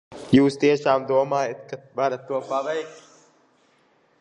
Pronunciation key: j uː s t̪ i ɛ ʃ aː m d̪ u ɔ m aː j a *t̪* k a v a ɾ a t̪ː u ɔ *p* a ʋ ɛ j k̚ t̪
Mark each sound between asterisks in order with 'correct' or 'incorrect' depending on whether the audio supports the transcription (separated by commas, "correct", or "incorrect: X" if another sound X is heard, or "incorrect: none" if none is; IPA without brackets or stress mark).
correct, correct